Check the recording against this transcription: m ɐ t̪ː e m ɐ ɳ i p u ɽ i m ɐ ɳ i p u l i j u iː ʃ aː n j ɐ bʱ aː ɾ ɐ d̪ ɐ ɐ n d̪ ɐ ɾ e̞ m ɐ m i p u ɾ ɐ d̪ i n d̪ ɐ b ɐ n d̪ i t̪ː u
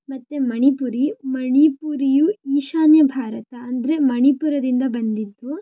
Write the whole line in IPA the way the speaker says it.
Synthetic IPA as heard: m ɐ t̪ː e m ɐ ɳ i p u ɾ i m ɐ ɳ i p u ɾ i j u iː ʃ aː n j ɐ bʱ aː ɾ ɐ t̪ ɐ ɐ n d̪ ɐ ɾ e̞ m ɐ ɳ i p u ɾ ɐ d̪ i n d̪ ɐ b ɐ n d̪ i d̪ː u

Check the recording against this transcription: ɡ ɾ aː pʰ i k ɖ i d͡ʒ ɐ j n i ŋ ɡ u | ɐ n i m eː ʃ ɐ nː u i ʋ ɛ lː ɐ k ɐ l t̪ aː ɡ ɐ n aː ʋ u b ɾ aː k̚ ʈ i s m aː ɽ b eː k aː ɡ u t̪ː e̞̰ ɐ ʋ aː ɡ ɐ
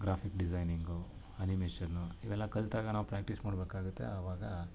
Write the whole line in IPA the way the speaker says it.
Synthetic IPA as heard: ɡ ɾ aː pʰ i k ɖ i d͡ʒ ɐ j n i ŋ ɡ u | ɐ n i m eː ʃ ɐ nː u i ʋ ɛ lː ɐ k ɐ l t̪ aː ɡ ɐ n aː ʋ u p ɾ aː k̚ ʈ i s m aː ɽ b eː k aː ɡ u t̪ː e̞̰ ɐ ʋ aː ɡ ɐ

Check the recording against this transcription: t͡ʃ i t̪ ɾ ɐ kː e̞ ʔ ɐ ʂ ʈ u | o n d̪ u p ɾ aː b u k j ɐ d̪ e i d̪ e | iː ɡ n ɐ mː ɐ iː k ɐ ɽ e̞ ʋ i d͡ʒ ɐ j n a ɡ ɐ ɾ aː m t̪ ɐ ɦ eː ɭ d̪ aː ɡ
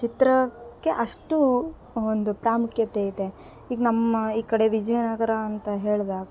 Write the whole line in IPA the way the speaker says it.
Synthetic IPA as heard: t͡ʃ i t̪ ɾ ɐ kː e̞ ʔ ɐ ʂ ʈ u | o n d̪ u p ɾ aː m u k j ɐ t̪ e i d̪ e | iː ɡ n ɐ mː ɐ iː k ɐ ɽ e̞ ʋ i d͡ʒ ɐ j n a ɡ ɐ ɾ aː n t̪ ɐ ɦ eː ɭ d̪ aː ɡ

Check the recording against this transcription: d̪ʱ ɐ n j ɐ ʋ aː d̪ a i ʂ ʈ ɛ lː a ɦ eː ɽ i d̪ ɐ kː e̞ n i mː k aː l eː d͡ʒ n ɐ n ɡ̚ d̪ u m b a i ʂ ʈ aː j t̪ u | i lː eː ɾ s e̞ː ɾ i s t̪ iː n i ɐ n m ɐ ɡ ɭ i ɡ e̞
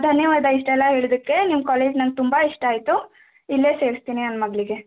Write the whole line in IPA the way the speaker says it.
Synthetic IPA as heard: d̪ʱ ɐ n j ɐ ʋ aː d̪ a i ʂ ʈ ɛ lː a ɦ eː ɭ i d̪ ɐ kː e̞ n i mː k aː l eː d͡ʒ n ɐ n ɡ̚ t̪ u m b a i ʂ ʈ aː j t̪ u | i lː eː s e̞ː ɾ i s t̪ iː n i ɐ n m ɐ ɡ ɭ i ɡ e̞

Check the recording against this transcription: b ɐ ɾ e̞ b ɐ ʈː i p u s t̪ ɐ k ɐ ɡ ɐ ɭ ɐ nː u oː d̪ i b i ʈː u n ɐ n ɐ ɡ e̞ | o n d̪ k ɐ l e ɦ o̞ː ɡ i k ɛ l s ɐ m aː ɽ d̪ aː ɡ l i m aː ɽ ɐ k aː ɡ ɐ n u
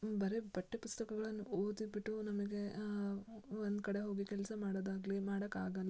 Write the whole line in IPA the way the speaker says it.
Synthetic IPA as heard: b ɐ ɾ e̞ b ɐ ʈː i p u s t̪ ɐ k ɐ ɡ ɐ ɭ ɐ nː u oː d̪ i b i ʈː u n ɐ m ɐ ɡ e̞ | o n d̪ k ɐ ɽ e ɦ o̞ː ɡ i k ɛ l s ɐ m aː ɽ d̪ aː ɡ l i m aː ɽ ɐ k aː ɡ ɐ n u

